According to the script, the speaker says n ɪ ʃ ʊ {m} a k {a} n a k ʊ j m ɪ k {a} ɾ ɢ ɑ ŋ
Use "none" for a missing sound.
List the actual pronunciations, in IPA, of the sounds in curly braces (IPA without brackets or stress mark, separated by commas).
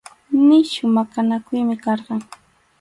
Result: m, a, ɑ